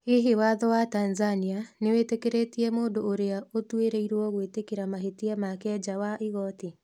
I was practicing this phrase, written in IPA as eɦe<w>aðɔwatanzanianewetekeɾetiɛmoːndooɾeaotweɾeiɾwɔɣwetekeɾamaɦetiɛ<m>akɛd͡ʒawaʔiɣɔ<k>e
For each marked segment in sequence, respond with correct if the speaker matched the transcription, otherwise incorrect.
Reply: correct, correct, incorrect: t

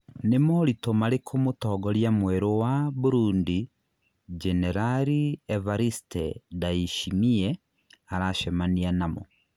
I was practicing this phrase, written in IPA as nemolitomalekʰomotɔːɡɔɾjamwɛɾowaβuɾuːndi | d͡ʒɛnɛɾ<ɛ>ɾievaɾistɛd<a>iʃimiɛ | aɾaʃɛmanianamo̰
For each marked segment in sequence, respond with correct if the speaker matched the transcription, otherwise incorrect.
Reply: incorrect: a, correct

